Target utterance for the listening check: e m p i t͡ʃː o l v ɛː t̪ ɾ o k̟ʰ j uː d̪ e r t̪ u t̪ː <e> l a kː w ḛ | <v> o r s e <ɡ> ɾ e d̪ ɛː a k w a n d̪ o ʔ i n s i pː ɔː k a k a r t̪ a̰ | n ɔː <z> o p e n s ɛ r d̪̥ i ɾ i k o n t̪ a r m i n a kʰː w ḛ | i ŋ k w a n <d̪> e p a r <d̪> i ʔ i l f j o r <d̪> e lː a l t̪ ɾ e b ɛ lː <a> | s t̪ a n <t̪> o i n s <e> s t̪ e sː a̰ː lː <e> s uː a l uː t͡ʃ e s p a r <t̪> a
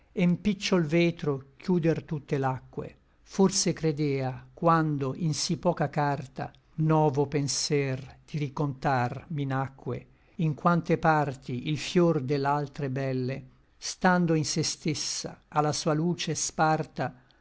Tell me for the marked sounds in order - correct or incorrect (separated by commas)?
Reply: correct, incorrect, incorrect, incorrect, incorrect, incorrect, correct, incorrect, incorrect, correct, incorrect, correct